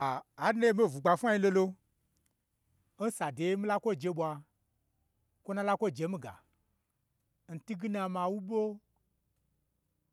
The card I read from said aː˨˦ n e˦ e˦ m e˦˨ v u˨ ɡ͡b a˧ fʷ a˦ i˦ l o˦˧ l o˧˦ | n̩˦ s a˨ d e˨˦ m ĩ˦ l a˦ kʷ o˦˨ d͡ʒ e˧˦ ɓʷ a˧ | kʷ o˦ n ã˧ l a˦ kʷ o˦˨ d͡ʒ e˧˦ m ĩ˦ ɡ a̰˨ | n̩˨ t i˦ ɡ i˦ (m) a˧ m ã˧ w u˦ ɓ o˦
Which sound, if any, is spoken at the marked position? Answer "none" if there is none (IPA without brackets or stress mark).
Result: n